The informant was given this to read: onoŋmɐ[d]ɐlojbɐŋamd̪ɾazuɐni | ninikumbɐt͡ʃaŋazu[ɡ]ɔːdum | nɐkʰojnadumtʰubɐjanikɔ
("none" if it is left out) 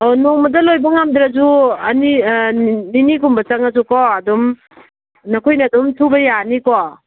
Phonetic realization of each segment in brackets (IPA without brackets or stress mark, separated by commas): d, k